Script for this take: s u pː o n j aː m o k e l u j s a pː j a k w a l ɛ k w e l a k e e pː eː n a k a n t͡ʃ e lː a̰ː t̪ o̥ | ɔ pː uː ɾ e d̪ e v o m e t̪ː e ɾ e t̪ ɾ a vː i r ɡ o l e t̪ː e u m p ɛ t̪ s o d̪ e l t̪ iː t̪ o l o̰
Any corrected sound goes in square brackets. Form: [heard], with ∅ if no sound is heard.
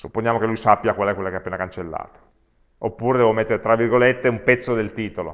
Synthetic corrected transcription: s u pː o n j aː m o k e l u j s a pː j a k w a l ɛ k w e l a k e [a] pː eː n a k a n t͡ʃ e lː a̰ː t̪ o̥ | [o] pː uː ɾ e d̪ [ɛ] v o m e t̪ː e ɾ e t̪ ɾ a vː i r ɡ o l e t̪ː e u m p ɛ t̪ [sː] o d̪ e l t̪ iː t̪ o l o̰